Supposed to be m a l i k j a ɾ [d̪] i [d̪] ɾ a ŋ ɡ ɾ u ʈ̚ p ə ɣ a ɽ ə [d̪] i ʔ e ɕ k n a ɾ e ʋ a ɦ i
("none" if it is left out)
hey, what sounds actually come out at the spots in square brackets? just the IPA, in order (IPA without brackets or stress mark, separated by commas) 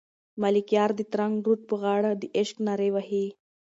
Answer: d̪, t̪, d̪